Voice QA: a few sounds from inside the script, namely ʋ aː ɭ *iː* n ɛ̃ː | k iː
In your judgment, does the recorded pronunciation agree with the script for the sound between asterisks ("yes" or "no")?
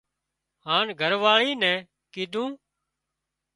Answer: yes